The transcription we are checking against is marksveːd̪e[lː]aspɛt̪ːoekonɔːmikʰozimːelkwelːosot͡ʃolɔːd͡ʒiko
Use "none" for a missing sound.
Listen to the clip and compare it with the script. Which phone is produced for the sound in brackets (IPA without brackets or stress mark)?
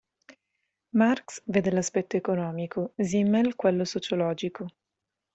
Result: l